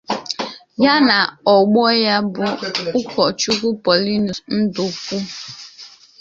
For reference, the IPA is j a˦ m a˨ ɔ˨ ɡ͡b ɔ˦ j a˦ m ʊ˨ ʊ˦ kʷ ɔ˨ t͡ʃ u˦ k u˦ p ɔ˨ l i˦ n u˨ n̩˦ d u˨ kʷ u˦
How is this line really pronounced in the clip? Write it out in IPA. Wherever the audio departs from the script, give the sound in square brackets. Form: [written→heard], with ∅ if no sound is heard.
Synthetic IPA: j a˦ [m→n] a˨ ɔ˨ ɡ͡b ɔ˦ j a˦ [m→b] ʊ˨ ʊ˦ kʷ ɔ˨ t͡ʃ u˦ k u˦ p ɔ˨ l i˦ n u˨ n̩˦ d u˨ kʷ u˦

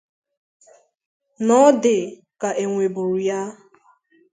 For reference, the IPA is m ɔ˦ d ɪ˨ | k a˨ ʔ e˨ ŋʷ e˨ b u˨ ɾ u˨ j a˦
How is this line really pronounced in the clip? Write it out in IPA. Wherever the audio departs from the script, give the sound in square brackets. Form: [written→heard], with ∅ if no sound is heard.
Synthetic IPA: [m→n] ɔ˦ d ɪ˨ | k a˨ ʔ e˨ ŋʷ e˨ b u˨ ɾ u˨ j a˦

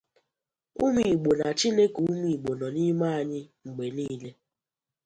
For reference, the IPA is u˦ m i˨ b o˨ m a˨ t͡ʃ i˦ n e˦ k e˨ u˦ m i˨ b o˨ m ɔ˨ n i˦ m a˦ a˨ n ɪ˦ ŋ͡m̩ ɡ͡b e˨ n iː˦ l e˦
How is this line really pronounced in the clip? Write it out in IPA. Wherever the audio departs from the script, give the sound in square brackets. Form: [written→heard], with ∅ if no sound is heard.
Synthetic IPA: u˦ m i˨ [b→ɡ͡b] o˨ [m→n] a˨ t͡ʃ i˦ n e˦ k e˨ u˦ m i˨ [b→ɡ͡b] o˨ [m→n] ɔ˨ n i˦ m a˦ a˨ [n→ɲ] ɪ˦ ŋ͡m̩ ɡ͡b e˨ n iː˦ l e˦

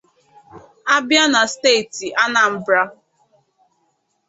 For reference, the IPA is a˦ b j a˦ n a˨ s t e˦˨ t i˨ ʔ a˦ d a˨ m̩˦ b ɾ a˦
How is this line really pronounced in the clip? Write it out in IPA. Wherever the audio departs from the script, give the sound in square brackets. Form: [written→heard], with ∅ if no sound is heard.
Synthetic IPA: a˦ b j a˦ n a˨ s t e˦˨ t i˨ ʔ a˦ [d→n] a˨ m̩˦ b ɾ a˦

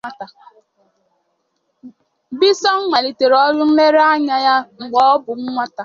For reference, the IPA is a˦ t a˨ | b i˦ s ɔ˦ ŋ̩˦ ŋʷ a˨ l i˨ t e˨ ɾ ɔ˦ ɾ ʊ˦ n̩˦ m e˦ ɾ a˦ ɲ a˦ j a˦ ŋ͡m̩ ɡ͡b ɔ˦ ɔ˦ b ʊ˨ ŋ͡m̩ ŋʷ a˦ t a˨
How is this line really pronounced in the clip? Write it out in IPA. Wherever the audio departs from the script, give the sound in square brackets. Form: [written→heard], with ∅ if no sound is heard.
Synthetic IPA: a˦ t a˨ | b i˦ s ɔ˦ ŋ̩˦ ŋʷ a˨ l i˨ t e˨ ɾ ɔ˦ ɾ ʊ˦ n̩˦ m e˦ ɾ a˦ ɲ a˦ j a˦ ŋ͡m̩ ɡ͡b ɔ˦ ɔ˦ b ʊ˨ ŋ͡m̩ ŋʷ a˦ t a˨

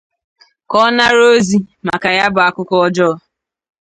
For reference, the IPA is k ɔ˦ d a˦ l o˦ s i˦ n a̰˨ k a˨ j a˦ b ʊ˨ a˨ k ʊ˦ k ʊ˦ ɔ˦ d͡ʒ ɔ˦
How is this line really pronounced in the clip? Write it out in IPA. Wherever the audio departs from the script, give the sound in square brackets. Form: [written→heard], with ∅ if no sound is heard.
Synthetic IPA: k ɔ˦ [d→n] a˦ [l→ɾ] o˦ [s→z] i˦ [n→m] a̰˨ k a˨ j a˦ b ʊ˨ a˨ k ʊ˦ k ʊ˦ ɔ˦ d͡ʒ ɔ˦

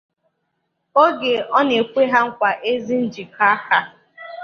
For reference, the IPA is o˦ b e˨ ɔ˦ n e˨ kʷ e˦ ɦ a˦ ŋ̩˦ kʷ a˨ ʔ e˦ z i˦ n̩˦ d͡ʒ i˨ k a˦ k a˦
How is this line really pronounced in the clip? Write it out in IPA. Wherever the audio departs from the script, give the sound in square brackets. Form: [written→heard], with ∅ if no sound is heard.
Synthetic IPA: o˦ [b→ɡ] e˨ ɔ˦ n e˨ kʷ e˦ ɦ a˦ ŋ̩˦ kʷ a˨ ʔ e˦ z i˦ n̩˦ d͡ʒ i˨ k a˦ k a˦

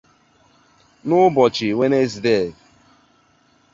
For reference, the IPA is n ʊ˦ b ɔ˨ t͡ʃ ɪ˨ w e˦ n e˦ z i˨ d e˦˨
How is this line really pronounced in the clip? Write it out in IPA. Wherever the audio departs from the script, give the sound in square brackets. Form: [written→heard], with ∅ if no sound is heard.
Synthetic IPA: n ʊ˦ b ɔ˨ t͡ʃ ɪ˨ w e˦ n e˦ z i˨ d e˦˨

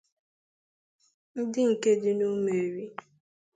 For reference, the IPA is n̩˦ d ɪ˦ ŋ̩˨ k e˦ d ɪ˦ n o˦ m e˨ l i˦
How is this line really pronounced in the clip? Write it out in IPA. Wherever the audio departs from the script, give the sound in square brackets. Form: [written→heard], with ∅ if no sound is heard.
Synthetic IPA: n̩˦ d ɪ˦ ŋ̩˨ k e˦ d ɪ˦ n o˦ m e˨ [l→ɾ] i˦

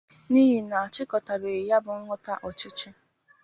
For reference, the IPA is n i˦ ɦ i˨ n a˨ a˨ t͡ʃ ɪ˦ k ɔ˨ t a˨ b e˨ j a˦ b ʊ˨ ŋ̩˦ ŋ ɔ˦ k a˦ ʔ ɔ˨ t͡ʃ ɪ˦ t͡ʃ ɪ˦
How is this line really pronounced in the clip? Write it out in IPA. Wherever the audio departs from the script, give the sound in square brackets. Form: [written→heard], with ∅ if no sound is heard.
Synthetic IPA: n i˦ ɦ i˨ n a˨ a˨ t͡ʃ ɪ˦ k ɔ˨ t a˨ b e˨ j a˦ b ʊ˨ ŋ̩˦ ŋ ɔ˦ [k→t] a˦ ʔ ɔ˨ t͡ʃ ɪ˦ t͡ʃ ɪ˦

